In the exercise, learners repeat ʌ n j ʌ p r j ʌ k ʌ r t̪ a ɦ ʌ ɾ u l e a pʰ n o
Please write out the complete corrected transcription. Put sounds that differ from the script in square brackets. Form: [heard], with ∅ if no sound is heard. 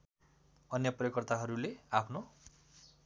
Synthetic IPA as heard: ʌ n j ʌ p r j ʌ k ʌ r t̪ a ɦ ʌ ɾ u l e a pʰ n o